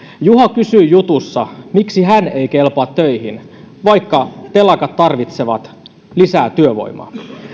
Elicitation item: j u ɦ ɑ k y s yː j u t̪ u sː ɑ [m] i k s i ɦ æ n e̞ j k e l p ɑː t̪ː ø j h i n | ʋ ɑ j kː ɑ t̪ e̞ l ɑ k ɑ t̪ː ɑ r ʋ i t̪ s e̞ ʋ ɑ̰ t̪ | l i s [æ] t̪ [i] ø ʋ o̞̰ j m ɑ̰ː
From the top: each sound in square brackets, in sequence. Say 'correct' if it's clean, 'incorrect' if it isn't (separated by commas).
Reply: correct, incorrect, incorrect